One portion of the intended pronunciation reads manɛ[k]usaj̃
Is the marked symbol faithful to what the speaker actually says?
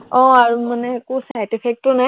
yes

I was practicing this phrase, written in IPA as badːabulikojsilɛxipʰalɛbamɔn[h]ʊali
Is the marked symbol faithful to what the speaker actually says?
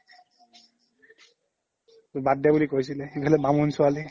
no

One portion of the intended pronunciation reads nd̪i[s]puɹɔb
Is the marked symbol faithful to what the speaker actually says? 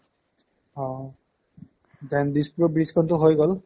yes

